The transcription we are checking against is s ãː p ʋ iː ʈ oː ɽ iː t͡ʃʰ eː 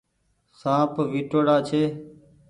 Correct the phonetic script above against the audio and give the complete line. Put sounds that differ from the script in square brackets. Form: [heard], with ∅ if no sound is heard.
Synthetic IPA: s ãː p ʋ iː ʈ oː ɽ [aː] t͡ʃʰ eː